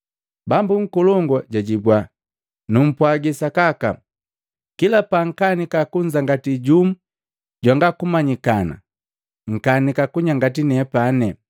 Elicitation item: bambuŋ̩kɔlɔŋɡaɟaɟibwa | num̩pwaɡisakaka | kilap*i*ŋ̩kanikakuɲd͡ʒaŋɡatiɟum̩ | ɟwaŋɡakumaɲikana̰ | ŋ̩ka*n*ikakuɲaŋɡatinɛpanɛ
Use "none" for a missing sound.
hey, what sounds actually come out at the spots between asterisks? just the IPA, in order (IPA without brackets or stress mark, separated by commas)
a, n